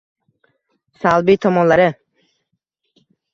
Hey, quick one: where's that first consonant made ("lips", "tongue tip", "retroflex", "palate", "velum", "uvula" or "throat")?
tongue tip